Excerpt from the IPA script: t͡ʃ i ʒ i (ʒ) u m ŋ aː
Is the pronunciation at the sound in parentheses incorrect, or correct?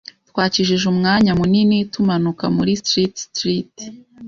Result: correct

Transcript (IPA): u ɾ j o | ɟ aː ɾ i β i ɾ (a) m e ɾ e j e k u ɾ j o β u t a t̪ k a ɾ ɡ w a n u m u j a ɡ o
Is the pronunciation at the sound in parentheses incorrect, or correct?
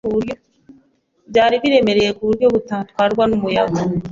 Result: incorrect: e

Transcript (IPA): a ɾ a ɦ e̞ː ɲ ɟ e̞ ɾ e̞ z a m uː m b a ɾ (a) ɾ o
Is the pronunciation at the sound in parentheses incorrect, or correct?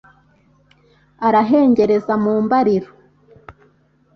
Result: incorrect: i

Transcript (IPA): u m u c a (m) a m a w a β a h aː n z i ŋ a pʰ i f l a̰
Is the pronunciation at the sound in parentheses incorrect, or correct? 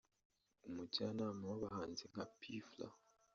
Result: incorrect: n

